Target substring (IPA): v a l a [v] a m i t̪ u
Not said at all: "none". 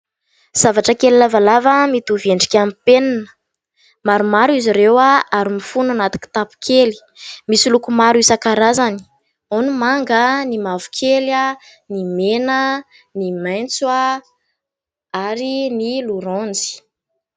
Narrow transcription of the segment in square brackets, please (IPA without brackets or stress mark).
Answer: v